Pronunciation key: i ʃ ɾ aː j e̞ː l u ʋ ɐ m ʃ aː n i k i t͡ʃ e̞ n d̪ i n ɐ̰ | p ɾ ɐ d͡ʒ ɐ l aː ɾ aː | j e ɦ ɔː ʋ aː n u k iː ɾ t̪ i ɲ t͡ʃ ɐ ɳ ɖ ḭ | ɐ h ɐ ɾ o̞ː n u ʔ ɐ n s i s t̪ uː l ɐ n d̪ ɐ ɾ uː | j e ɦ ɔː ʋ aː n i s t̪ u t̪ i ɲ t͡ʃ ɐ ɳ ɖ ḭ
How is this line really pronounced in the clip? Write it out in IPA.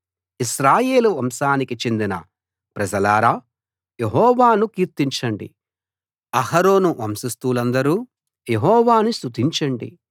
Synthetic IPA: i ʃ ɾ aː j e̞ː l u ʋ ɐ m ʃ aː n i k i t͡ʃ e̞ n d̪ i n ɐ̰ | p ɾ ɐ d͡ʒ ɐ l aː ɾ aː | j e ɦ ɔː ʋ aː n u k iː ɾ t̪ i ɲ t͡ʃ ɐ ɳ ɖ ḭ | ɐ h ɐ ɾ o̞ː n u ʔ ɐ m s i s t̪ uː l ɐ n d̪ ɐ ɾ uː | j e ɦ ɔː ʋ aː n i s t̪ u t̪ i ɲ t͡ʃ ɐ ɳ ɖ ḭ